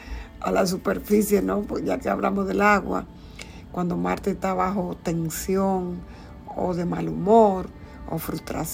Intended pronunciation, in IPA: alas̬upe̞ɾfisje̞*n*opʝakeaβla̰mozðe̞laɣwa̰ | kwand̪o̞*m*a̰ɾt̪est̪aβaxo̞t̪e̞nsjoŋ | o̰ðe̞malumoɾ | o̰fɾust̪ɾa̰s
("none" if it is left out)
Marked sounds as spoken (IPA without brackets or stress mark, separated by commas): n, m